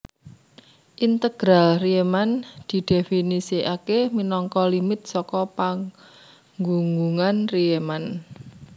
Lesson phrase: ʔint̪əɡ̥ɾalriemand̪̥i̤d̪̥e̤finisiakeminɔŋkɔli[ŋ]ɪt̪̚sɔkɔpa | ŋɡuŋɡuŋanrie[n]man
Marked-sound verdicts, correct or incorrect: incorrect: m, incorrect: none

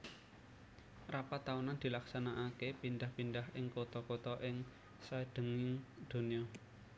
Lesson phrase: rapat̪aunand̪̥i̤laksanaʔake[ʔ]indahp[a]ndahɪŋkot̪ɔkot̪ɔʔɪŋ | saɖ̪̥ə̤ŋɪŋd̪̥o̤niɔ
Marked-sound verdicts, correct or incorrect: incorrect: p, incorrect: i

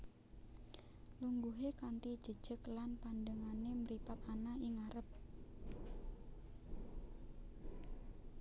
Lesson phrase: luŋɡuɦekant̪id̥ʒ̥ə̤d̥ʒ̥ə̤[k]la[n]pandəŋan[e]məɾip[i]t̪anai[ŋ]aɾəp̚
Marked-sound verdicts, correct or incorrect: correct, correct, correct, incorrect: a, correct

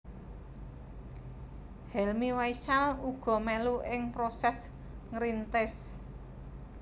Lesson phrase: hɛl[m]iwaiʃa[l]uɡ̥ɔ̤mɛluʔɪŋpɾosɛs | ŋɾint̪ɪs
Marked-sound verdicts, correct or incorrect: correct, correct

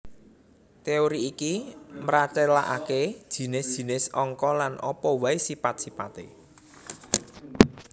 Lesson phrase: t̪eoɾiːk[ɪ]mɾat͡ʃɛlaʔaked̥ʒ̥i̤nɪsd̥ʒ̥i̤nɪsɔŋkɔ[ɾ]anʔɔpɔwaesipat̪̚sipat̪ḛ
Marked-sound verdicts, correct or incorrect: incorrect: i, incorrect: l

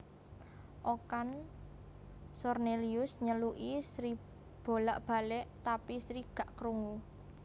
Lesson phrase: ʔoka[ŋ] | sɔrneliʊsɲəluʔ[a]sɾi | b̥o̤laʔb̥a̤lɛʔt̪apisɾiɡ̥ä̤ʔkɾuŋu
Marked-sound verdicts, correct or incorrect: incorrect: n, incorrect: i

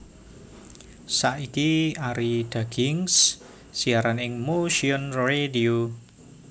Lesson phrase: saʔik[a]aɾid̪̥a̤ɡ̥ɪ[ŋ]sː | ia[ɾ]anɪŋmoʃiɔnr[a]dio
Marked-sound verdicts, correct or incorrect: incorrect: i, correct, correct, incorrect: e

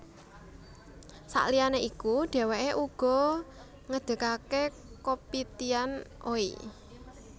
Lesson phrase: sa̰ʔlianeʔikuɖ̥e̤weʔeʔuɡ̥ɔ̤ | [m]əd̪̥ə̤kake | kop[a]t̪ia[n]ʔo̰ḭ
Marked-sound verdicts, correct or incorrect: incorrect: ŋ, incorrect: i, correct

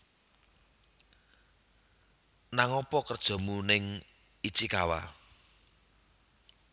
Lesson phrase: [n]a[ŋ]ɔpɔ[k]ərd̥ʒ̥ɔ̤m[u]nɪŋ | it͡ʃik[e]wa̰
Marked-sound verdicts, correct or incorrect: correct, correct, correct, correct, incorrect: a

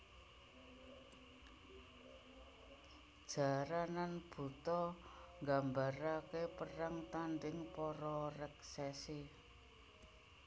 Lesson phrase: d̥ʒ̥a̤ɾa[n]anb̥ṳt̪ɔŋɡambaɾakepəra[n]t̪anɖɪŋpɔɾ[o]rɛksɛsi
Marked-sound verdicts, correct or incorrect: correct, incorrect: ŋ, incorrect: ɔ

